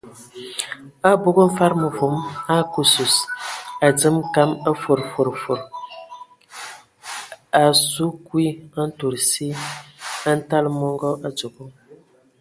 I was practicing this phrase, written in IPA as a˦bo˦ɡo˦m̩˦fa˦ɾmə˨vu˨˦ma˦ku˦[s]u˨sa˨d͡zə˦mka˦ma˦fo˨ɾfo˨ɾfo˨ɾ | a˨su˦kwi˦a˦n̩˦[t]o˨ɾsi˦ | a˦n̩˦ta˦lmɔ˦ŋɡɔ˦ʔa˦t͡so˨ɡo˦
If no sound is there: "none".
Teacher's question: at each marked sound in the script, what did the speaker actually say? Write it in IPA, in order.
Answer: s, t

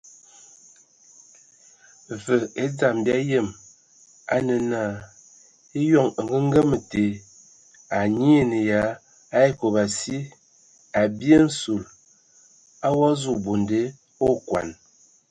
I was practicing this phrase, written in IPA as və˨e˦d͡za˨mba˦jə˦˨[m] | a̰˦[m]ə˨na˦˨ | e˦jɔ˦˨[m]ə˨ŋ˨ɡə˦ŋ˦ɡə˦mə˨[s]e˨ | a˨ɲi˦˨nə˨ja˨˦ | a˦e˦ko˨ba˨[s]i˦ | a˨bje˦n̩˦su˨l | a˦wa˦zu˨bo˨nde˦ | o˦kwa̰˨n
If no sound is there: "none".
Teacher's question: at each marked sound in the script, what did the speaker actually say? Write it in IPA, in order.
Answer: m, n, ŋ, t, s

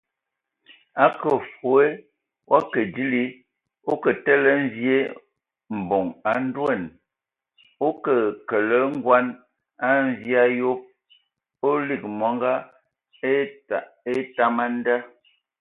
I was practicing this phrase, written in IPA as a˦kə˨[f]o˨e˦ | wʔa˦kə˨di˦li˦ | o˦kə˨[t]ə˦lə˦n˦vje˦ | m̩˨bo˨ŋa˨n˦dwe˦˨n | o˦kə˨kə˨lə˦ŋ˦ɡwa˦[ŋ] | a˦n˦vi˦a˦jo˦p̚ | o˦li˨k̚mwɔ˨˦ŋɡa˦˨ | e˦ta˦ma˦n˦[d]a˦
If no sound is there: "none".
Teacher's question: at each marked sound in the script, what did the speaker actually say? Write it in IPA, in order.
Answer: f, t, n, d

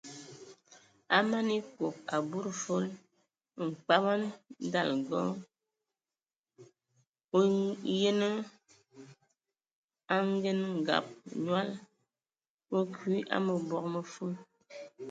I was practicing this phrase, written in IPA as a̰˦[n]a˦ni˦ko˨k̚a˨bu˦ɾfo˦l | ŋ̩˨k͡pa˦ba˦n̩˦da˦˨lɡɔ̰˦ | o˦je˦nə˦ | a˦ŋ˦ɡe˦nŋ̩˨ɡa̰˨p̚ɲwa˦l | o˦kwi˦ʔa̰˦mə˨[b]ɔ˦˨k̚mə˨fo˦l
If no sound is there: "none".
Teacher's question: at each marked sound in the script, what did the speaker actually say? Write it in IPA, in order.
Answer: m, b

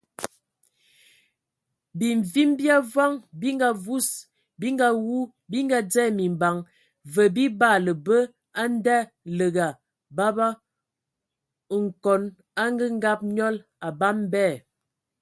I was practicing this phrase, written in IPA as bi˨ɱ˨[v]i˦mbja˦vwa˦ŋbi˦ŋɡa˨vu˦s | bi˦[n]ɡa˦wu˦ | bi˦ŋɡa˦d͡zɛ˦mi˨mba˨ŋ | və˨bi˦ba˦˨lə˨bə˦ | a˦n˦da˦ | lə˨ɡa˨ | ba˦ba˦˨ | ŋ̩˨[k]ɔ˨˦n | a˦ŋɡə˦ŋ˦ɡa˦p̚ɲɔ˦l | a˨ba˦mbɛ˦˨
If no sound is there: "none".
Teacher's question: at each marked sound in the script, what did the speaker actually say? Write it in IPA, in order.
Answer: v, ŋ, k

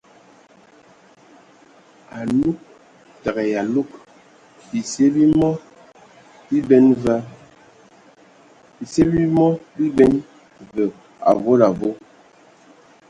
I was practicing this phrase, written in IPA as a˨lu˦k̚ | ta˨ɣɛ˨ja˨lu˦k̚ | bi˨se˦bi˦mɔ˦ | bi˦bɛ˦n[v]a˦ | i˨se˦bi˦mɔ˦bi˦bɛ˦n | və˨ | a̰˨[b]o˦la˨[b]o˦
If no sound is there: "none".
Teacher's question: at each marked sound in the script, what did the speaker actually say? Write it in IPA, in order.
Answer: v, v, v

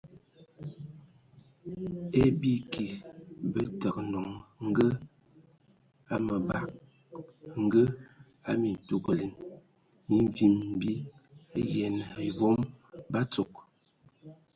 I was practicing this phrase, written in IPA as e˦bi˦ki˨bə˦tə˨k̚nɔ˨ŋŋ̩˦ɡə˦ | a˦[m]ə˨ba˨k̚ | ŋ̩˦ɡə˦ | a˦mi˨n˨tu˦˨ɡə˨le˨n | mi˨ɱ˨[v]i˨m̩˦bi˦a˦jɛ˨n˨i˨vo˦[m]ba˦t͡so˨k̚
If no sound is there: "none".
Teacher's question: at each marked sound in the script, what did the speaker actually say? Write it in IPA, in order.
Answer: m, v, m

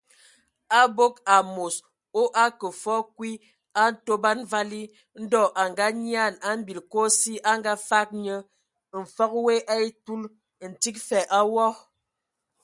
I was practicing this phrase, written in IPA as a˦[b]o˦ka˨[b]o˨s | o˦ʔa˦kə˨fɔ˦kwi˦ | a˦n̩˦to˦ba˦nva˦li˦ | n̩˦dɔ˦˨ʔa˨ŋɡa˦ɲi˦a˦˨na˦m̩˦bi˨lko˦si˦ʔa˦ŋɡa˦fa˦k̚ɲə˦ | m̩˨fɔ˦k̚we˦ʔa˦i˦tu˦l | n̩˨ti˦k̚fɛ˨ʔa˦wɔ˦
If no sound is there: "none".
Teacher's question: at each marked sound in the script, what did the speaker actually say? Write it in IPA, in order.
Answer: b, m

